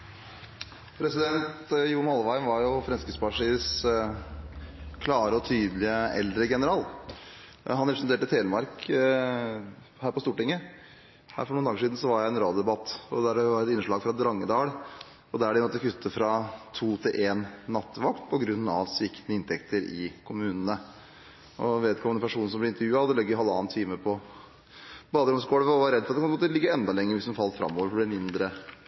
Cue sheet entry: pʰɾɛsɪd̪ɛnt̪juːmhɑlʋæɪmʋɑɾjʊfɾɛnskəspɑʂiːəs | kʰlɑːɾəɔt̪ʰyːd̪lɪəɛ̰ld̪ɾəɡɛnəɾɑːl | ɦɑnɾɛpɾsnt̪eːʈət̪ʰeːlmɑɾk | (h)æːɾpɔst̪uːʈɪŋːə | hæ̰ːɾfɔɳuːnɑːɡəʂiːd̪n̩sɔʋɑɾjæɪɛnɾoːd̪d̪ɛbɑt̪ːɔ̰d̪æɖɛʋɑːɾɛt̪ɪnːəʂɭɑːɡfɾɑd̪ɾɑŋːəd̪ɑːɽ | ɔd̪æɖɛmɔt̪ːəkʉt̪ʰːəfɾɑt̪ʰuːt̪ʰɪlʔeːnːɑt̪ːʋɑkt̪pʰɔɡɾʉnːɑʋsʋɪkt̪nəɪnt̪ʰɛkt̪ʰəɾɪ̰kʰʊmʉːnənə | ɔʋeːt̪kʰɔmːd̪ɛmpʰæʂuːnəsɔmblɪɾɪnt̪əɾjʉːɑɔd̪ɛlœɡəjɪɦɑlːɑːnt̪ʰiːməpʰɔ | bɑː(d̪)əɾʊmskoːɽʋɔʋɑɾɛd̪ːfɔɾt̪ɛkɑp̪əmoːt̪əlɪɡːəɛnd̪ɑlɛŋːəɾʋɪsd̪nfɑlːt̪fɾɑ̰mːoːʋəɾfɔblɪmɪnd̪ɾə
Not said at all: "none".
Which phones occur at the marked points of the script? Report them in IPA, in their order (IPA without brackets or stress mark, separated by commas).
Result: h, d̪